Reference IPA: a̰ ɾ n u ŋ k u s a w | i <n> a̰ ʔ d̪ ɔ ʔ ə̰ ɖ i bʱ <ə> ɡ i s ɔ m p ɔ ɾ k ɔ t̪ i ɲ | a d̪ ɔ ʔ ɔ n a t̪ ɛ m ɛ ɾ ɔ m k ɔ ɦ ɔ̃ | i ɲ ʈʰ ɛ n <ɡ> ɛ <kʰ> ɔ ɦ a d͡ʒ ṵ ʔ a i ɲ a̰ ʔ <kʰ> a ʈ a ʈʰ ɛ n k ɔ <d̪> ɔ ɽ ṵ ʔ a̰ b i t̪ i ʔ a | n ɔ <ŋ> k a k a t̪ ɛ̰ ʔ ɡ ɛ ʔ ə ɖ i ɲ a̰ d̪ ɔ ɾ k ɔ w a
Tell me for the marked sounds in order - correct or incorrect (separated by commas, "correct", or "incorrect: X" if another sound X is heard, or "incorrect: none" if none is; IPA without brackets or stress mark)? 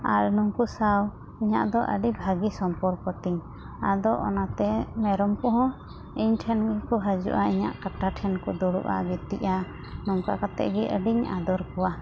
incorrect: ɲ, incorrect: a, correct, incorrect: k, incorrect: k, correct, correct